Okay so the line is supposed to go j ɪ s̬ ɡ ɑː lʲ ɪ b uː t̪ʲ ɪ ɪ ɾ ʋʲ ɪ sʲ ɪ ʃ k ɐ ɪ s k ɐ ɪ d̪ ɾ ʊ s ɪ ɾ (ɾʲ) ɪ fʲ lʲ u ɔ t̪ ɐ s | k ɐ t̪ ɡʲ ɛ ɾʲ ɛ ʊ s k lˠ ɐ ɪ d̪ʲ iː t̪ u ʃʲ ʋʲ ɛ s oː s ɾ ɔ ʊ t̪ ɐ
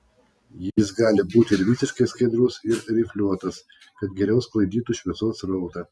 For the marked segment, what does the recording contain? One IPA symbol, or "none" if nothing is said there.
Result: ɾʲ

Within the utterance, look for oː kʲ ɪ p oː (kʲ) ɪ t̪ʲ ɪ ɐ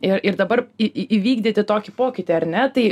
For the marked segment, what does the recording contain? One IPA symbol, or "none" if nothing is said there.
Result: kʲ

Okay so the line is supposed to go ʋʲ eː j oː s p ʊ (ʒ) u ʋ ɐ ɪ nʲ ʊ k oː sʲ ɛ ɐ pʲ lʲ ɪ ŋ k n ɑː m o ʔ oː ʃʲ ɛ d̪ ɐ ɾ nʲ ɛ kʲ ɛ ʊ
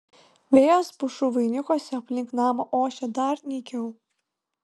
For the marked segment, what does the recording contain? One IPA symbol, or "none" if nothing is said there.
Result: ʃ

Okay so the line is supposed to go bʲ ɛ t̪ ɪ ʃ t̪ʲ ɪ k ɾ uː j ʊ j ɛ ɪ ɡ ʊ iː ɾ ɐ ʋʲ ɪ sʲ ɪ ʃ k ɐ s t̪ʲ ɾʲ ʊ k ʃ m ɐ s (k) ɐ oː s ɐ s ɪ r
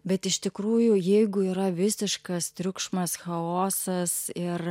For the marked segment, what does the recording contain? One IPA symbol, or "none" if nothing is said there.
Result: x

